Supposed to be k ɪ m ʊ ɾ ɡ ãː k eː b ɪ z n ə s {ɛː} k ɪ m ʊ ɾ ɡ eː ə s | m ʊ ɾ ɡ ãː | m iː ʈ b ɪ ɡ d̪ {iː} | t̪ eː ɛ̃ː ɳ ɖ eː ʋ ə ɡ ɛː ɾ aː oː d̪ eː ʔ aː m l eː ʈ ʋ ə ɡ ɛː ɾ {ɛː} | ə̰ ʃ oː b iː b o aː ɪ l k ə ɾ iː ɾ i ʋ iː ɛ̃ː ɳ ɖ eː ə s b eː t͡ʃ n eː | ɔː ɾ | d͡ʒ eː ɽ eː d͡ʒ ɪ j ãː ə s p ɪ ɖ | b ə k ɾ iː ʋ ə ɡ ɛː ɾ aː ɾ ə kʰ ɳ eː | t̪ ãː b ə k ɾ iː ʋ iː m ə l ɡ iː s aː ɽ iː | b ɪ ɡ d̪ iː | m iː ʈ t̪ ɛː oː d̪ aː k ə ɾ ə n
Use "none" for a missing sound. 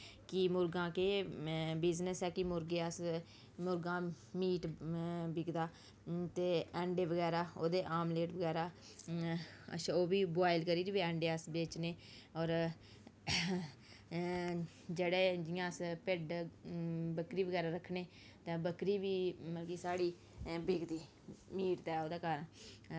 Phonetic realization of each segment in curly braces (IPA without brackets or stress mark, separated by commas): ɛː, aː, aː